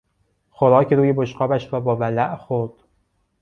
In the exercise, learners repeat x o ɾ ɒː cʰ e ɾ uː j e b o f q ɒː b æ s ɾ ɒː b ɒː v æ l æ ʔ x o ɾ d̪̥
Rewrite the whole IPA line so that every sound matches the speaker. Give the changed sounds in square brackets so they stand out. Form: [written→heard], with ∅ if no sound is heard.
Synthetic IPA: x o ɾ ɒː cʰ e ɾ uː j e b o [f→ʃ] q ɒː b æ [s→ʃ] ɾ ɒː b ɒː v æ l æ ʔ x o ɾ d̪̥